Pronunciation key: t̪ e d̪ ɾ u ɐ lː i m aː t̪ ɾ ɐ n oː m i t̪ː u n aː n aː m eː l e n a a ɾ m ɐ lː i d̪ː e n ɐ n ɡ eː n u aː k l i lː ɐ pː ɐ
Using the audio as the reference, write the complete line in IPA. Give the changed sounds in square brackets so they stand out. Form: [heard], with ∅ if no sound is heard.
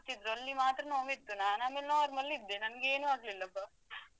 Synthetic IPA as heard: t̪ [i] d̪ ɾ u ɐ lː i m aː t̪ ɾ ɐ n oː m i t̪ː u n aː n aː m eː l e n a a ɾ m ɐ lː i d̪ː e n ɐ n ɡ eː n u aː [ɡ] l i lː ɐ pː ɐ